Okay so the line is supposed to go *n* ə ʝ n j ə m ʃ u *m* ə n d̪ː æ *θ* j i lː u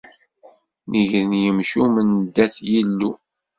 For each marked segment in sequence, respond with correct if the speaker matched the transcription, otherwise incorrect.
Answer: correct, correct, correct

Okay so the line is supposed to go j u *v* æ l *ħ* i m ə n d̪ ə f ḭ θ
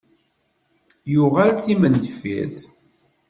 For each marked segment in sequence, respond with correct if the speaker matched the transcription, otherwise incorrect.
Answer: incorrect, incorrect

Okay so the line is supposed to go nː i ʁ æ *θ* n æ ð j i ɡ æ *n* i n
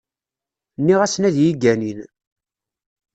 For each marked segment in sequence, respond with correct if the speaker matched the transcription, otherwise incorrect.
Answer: incorrect, correct

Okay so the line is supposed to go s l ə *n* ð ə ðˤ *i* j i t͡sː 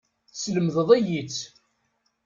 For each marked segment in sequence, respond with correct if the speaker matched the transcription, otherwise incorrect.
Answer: incorrect, incorrect

